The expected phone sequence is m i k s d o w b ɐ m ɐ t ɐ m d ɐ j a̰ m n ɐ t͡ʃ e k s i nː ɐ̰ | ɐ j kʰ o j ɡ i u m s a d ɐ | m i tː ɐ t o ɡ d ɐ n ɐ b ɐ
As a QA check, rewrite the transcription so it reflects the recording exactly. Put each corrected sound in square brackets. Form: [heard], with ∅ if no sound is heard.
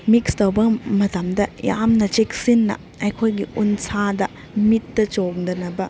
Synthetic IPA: m i k s [t] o w b ɐ m ɐ t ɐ m d ɐ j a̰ m n ɐ t͡ʃ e k s i nː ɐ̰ | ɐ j kʰ o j ɡ i u [n] s a d ɐ | m i tː ɐ [t͡ʃ] o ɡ d ɐ n ɐ b ɐ